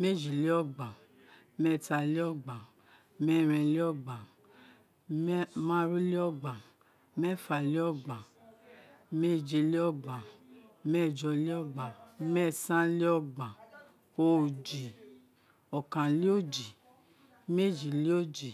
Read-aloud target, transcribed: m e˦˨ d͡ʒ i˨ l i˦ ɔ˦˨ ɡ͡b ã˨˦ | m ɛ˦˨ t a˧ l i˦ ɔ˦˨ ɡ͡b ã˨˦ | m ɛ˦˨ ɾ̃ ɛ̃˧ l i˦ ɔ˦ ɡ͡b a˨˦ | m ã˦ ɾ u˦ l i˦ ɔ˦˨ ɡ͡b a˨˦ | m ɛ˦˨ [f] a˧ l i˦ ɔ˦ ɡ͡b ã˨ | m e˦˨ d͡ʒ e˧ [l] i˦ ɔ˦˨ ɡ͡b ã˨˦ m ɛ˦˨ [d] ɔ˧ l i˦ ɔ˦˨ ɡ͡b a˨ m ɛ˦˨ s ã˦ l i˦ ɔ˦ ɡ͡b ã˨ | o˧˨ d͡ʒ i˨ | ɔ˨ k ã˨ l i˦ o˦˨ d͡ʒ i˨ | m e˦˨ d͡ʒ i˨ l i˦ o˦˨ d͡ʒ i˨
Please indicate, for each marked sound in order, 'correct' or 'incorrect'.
correct, correct, incorrect

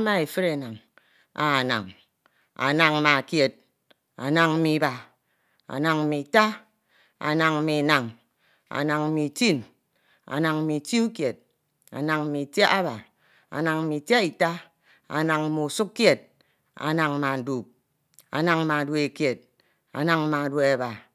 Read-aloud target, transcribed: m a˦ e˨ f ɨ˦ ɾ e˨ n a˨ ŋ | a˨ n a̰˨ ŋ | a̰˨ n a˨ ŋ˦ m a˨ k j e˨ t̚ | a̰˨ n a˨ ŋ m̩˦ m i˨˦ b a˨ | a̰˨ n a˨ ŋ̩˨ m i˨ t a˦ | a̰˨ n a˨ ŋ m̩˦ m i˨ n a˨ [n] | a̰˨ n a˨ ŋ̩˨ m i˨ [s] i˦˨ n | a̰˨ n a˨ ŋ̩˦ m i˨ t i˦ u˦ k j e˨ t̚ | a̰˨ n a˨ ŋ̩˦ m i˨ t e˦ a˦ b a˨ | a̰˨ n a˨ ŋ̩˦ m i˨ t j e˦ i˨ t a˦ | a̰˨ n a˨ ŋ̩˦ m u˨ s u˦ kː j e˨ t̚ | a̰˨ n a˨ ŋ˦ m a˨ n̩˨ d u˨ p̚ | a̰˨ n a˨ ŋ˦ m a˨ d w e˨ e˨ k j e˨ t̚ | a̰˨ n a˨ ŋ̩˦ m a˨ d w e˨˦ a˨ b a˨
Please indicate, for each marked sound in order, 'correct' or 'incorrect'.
incorrect, incorrect

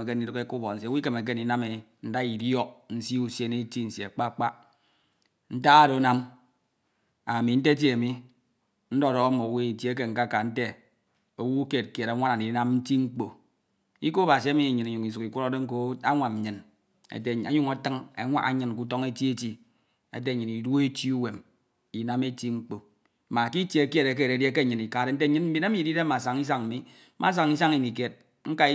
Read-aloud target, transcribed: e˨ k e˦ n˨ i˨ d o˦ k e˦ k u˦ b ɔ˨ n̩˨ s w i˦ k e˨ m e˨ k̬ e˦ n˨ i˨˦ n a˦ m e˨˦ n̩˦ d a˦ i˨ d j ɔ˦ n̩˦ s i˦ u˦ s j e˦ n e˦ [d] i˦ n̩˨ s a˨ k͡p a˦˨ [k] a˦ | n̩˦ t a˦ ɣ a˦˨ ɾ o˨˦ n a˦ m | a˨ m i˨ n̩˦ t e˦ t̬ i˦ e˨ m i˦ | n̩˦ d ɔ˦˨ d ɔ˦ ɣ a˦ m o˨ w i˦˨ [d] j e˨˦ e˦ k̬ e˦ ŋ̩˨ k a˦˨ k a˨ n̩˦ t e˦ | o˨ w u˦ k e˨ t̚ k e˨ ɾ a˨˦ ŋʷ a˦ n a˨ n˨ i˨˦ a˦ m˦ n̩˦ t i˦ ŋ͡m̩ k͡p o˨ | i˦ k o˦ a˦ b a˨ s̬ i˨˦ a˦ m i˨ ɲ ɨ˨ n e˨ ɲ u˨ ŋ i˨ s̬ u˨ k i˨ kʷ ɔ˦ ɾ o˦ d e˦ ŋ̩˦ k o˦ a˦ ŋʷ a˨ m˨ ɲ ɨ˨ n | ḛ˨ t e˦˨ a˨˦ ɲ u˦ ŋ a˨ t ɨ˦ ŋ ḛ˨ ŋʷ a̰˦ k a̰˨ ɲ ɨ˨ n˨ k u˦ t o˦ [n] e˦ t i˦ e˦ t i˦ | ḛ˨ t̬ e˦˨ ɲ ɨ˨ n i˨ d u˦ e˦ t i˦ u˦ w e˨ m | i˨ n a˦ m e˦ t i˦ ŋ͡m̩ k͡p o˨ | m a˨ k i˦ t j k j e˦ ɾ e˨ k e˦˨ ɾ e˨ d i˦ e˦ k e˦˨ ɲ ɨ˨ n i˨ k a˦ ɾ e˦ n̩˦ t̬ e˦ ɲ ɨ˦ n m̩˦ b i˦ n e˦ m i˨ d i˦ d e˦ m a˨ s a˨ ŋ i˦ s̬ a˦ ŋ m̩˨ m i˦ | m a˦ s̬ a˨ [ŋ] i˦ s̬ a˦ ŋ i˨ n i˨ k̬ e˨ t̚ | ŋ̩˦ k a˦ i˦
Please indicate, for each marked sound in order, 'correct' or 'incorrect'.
incorrect, incorrect, incorrect, incorrect, correct

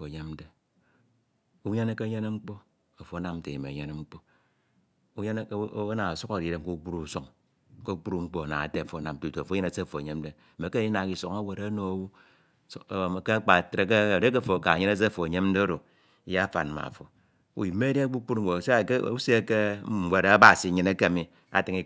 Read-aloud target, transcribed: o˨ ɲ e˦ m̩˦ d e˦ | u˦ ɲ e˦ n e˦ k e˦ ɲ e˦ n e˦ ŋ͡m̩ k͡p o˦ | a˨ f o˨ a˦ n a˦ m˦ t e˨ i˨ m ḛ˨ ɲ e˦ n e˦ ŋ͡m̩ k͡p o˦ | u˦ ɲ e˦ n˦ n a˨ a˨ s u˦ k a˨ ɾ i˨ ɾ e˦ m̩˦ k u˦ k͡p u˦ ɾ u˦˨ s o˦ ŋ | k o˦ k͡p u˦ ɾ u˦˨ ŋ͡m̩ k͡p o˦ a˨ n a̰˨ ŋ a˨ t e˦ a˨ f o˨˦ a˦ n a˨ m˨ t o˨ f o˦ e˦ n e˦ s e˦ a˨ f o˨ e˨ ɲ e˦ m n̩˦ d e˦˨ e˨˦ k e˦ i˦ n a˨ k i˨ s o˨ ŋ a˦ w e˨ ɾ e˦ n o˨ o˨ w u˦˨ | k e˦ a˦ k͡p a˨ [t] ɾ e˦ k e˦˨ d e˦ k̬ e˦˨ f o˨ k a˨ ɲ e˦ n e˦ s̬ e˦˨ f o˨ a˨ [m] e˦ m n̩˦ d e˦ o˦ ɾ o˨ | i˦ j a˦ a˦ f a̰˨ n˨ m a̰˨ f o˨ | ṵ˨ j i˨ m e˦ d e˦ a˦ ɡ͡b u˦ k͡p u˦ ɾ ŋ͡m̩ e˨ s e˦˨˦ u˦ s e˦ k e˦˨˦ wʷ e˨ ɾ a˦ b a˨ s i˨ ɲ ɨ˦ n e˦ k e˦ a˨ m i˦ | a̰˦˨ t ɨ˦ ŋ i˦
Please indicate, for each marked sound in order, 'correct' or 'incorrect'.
correct, incorrect

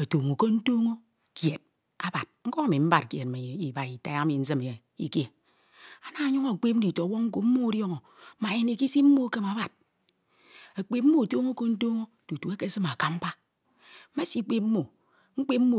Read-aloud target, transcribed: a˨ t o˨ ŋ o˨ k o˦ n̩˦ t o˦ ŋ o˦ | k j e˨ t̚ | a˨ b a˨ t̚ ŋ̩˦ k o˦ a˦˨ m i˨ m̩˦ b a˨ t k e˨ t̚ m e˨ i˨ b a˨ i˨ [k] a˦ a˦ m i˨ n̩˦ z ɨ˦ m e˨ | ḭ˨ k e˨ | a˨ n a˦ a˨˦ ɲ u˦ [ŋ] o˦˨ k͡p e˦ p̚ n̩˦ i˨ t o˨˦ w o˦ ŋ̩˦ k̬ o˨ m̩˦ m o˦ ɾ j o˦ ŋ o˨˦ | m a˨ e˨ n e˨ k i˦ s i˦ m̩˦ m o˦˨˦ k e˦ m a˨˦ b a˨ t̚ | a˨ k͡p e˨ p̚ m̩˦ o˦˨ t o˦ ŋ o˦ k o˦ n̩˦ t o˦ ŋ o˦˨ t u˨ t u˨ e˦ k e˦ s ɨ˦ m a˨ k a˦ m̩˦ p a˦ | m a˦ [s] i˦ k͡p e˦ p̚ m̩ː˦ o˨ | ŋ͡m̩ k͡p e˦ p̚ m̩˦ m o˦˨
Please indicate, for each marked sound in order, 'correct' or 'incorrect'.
incorrect, correct, correct

